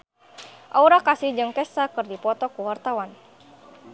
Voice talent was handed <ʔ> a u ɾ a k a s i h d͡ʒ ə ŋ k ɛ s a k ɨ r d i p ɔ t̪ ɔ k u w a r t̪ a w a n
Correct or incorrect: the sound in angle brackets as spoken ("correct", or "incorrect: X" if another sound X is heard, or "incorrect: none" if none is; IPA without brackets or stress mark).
correct